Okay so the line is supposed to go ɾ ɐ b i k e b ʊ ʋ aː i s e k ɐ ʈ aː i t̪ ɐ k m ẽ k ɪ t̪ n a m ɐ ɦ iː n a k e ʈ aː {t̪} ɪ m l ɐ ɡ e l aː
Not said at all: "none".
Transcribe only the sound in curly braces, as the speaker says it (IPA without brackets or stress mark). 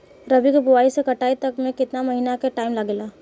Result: none